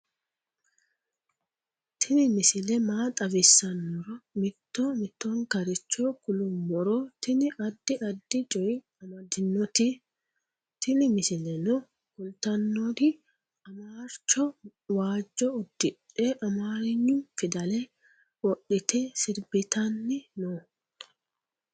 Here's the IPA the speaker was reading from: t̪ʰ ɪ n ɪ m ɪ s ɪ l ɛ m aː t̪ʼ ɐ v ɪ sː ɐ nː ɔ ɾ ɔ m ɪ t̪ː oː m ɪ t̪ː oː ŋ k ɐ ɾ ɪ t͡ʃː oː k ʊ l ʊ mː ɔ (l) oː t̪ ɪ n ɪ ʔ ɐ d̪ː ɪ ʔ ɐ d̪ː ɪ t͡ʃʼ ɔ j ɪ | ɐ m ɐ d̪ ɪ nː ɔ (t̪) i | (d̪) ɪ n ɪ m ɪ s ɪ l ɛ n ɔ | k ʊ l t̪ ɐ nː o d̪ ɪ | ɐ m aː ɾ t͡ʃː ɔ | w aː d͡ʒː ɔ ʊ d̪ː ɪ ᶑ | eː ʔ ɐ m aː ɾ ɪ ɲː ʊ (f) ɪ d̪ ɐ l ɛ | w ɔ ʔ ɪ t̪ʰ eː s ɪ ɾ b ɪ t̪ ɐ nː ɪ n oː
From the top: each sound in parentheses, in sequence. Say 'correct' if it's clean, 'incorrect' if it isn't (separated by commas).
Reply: incorrect, correct, incorrect, correct